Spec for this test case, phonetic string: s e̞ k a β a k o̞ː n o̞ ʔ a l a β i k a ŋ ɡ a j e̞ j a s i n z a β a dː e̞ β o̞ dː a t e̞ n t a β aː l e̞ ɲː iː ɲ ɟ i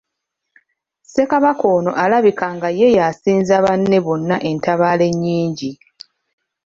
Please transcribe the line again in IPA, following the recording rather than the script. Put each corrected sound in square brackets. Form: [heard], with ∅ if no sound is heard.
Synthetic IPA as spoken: s e̞ k a β a k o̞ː n o̞ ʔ a l a β i k a ŋ ɡ a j e̞ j a s [iː] n z a β a [nː] e̞ β o̞ [nː] a [ʔ] e̞ n t a β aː l e̞ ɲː iː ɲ ɟ i